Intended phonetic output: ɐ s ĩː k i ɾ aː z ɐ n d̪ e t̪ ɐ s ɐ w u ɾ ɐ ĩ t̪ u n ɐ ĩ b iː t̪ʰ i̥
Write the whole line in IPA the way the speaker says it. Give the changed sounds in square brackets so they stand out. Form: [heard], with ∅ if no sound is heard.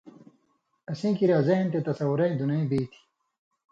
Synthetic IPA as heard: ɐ s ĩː k i ɾ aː z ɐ n [t̪] e t̪ ɐ s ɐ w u ɾ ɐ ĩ [d̪] u n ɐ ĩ b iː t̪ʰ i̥